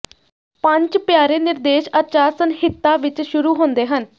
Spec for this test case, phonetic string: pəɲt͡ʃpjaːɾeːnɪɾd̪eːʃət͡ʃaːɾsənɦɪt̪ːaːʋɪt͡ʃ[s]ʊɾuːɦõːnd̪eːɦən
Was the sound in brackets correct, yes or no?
no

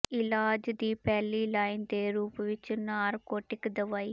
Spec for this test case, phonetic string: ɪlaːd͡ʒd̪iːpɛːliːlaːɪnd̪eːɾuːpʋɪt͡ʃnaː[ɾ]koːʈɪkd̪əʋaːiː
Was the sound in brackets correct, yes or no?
yes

